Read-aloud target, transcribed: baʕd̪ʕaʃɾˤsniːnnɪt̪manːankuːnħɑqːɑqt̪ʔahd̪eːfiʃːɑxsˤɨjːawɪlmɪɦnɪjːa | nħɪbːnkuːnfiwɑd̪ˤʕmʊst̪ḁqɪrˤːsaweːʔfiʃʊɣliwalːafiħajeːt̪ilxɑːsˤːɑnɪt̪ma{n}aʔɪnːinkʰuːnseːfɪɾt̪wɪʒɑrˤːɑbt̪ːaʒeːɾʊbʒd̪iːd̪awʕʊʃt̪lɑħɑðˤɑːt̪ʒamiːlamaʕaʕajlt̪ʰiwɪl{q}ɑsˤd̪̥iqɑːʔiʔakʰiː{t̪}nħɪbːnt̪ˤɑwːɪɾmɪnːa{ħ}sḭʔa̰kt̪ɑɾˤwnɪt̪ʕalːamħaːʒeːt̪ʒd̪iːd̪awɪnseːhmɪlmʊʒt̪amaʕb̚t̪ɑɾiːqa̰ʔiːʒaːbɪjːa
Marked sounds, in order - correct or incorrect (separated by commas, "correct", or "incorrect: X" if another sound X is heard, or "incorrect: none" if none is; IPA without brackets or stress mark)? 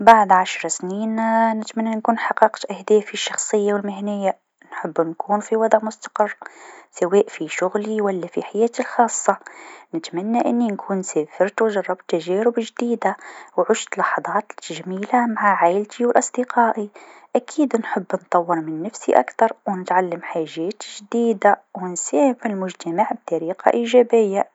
incorrect: nː, incorrect: ʔ, incorrect: d̪, incorrect: f